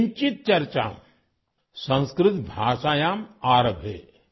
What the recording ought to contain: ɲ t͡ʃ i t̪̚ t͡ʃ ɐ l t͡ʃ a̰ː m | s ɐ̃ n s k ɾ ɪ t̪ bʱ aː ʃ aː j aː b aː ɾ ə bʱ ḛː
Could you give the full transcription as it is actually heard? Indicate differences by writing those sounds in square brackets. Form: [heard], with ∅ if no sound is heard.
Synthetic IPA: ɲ t͡ʃ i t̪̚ t͡ʃ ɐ [ɾ] t͡ʃ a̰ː m | s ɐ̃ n s k ɾ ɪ t̪ bʱ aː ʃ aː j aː [m] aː ɾ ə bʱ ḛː